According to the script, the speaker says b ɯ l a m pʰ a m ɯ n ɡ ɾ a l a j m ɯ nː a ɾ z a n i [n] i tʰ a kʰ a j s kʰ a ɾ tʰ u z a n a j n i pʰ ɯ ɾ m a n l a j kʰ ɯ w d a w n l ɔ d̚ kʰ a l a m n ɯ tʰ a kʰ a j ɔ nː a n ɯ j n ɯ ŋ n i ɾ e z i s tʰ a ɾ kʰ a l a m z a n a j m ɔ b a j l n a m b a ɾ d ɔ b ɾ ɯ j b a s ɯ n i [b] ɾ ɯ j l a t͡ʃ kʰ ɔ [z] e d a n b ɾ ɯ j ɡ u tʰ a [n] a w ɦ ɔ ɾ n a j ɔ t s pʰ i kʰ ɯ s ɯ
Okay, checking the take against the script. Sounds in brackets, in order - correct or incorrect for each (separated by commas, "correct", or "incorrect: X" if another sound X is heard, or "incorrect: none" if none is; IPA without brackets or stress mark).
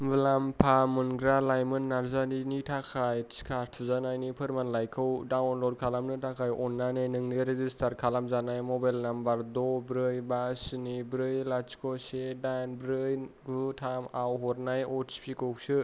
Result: correct, correct, incorrect: s, incorrect: m